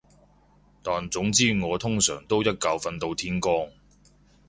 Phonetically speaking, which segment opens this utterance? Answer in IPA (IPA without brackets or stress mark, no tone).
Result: t̪